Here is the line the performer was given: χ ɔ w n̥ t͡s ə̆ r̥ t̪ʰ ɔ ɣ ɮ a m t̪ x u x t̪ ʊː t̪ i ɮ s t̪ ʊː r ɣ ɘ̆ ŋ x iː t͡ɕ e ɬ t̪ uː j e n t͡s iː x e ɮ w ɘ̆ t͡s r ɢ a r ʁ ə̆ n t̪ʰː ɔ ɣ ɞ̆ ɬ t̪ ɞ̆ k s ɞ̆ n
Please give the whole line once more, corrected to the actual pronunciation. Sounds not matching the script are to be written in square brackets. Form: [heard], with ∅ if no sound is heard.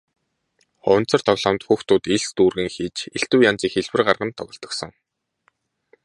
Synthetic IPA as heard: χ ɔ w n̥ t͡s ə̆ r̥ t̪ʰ ɔ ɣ ɮ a m t̪ x u x t̪ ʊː t̪ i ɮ s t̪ [uː] r ɣ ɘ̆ ŋ x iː t͡ɕ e ɬ t̪ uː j [a] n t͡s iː x e ɮ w ɘ̆ [∅] r ɢ a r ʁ ə̆ n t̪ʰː ɔ ɣ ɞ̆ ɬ t̪ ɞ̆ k s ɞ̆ [ŋ]